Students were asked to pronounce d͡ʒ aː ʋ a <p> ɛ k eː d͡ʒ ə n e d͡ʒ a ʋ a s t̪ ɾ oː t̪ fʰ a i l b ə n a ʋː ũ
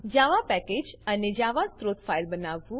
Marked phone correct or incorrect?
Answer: correct